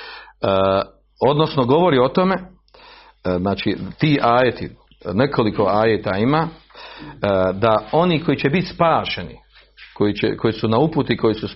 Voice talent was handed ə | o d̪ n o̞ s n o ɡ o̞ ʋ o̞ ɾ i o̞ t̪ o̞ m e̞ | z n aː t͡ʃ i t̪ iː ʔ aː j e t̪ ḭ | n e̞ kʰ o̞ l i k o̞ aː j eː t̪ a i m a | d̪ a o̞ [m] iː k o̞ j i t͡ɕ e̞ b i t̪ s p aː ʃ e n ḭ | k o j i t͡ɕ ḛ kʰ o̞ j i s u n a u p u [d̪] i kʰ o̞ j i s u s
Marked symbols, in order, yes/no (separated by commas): no, no